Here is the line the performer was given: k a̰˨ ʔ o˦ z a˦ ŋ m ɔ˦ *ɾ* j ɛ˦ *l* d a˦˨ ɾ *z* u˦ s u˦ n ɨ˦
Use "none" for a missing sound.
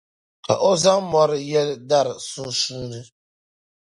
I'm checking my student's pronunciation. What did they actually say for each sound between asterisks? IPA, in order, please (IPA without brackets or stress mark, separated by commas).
ɾ, l, s